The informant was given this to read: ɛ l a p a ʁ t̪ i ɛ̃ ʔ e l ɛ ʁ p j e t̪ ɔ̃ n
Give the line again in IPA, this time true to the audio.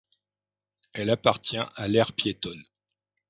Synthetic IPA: ɛ l a p a ʁ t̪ j ɛ̃ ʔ a l ɛ ʁ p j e t̪ ɔ n